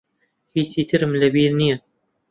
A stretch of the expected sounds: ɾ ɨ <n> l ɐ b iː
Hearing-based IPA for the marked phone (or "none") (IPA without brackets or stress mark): m